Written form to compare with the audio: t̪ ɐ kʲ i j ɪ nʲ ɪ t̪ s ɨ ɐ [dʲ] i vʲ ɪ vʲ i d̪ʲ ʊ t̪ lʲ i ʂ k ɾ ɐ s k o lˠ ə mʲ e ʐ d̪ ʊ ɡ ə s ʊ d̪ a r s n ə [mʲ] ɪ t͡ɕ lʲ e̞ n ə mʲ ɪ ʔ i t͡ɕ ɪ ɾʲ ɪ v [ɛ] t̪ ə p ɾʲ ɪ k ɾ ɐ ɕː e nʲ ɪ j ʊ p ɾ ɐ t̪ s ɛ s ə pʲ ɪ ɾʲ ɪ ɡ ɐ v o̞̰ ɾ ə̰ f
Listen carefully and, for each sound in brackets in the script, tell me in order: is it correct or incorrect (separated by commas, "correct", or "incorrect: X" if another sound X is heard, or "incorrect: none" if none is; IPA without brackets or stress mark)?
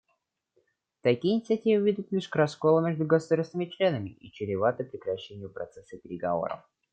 incorrect: tʲ, correct, incorrect: a